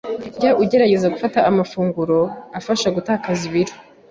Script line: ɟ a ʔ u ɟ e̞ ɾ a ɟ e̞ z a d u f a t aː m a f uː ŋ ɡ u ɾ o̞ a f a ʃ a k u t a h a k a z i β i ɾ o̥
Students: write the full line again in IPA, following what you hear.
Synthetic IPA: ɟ a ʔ u ɟ e̞ ɾ a ɟ e̞ z a ɡ u f a t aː m a f uː ŋ ɡ u ɾ o̞ a f a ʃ a ɡ u t a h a k a z i β i ɾ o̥

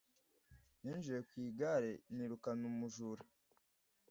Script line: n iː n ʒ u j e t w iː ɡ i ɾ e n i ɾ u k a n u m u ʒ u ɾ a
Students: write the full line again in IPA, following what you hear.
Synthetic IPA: n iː n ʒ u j e k w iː ɡ a ɾ e n i ɾ u k a n u m u ʒ u ɾ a

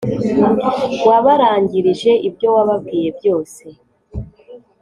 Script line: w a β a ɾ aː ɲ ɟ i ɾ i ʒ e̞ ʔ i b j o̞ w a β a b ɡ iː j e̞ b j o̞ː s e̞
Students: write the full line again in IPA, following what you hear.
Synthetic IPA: w a β a ɾ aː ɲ ɟ i ɾ i ʒ e̞ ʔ i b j o̞ w a β a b ɡ iː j e̞ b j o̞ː s e̞

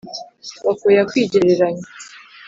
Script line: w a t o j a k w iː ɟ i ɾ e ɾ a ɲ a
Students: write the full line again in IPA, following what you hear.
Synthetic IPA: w a k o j a k w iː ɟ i ɾ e ɾ a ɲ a

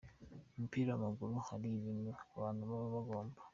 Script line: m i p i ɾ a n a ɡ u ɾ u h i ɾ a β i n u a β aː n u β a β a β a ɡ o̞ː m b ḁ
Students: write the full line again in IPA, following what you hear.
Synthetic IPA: m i p i ɾ a m a ɡ u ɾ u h a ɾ i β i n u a β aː n u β a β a β a ɡ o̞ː m b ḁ

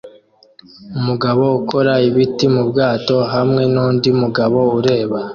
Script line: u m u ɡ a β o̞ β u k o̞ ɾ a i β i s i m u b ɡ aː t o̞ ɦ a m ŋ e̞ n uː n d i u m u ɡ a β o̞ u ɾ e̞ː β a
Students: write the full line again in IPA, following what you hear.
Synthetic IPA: u m u ɡ a β o̞ u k o̞ ɾ a i β i t i m u b ɡ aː t o̞ ɦ a m ŋ e̞ n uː n d i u m u ɡ a β o̞ u ɾ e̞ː β a

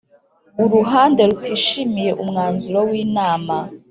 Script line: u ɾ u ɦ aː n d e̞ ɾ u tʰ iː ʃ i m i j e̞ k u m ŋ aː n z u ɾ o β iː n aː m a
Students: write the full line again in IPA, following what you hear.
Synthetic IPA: u ɾ u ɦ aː n d e̞ ɾ u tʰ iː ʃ i m i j e̞ ʔ u m ŋ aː n z u ɾ o w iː n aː m a

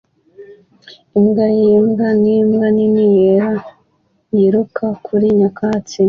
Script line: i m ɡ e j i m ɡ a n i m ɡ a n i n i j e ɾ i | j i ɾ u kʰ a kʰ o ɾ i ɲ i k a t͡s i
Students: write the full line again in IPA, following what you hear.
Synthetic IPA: i m ɡ a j i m ɡ a n i m ɡ a n i n i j e ɾ a | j i ɾ u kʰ a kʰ u ɾ i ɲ a k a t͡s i

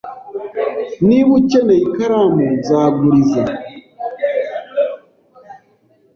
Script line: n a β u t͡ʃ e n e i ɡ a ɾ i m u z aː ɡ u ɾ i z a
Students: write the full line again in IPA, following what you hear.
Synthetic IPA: n i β u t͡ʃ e n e i k a ɾ a m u z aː ɡ u ɾ i z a

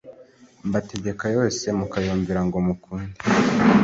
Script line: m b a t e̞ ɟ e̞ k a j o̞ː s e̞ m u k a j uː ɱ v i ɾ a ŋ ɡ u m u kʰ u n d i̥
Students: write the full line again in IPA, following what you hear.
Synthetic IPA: m b a t e̞ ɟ e̞ k a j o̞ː s e̞ m u k a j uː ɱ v i ɾ a ŋ ɡ o m u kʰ uː n d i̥

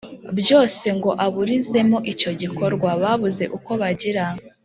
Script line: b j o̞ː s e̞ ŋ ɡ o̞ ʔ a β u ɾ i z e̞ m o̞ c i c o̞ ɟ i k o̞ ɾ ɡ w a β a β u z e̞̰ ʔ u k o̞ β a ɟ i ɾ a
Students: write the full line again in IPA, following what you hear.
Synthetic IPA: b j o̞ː s e̞ ŋ ɡ o̞ ʔ a β u ɾ i z e̞ m o̞ ʔ i c o̞ ɟ i k o̞ ɾ ɡ w a β a β u z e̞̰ ʔ u k o̞ β a ɟ i ɾ a

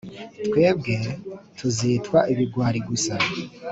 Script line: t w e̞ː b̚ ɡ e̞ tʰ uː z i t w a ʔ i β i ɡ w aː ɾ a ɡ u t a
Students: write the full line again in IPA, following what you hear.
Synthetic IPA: t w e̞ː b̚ ɡ e̞ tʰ u z i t w a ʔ i β i ɡ w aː ɾ i ɡ u s a

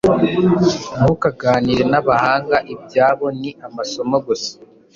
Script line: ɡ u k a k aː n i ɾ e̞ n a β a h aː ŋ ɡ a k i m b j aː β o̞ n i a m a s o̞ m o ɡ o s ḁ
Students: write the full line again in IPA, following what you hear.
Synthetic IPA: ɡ u k a ɡ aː n i ɾ e̞ n a β a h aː ŋ ɡ a ʔ i b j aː β o̞ n i a m a s o̞ m o ɡ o s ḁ

